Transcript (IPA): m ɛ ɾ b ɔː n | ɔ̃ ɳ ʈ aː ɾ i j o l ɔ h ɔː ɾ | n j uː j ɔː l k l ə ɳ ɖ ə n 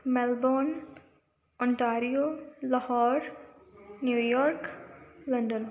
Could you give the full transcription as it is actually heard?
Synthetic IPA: m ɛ l b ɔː n | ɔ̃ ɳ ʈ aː ɾ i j o l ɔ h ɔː ɾ | n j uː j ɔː ɾ k l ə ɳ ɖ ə n